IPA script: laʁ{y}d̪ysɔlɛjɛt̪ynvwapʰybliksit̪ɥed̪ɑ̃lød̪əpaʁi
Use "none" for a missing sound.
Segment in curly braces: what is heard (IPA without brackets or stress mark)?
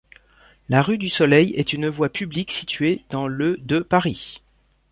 y